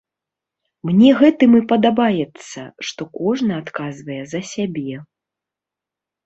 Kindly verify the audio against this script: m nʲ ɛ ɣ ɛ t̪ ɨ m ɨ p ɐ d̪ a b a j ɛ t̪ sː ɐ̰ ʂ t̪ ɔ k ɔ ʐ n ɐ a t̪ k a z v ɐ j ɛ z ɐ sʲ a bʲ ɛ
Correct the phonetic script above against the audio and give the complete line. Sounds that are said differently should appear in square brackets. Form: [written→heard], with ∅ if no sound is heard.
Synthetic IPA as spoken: m nʲ ɛ ɣ ɛ t̪ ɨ m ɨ p ɐ d̪ a b a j ɛ t̪ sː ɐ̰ ʂ t̪ ɔ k ɔ ʐ n ɐ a t̪ k a z v ɐ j ɛ z ɐ sʲ a bʲ ɛ